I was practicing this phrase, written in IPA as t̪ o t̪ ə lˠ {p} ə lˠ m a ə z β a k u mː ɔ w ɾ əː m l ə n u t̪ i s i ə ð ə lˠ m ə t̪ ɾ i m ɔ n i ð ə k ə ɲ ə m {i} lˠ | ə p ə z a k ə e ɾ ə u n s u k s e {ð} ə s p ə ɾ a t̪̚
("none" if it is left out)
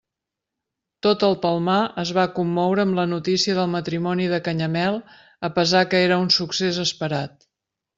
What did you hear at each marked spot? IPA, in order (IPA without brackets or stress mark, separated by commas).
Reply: p, ɛ, z